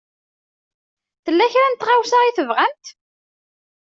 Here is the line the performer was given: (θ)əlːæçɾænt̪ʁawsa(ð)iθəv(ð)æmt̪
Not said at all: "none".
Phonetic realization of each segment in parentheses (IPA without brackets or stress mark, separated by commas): θ, ʁ, ʁ